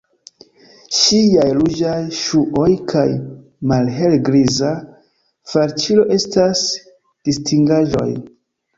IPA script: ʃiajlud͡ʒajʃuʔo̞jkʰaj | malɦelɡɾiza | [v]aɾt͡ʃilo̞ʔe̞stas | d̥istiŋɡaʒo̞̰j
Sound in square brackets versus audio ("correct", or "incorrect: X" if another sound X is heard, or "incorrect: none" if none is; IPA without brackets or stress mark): incorrect: f